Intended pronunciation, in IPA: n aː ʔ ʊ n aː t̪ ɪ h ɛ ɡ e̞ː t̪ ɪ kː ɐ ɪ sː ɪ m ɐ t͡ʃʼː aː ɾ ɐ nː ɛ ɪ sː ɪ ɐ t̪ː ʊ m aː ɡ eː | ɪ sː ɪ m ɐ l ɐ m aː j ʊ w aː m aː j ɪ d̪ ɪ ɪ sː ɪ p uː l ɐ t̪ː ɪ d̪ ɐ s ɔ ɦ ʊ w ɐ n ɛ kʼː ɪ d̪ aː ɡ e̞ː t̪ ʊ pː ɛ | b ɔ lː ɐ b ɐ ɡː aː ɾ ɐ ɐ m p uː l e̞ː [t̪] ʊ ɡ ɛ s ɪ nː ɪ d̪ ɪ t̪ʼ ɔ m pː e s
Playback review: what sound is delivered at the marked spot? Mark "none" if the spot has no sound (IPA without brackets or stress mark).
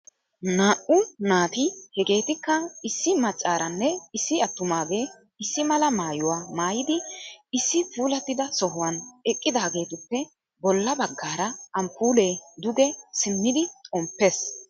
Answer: d̪